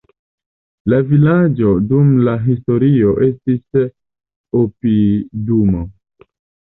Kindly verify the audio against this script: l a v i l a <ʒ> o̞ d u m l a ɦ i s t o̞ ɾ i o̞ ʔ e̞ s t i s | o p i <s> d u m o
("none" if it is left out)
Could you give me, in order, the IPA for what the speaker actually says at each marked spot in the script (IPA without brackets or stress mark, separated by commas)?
d͡ʒ, none